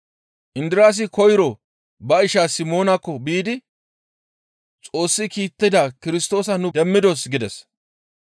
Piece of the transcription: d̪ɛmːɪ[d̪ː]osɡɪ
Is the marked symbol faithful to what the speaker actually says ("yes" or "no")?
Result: no